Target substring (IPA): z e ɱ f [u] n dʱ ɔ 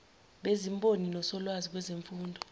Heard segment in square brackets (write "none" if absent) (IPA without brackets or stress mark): uː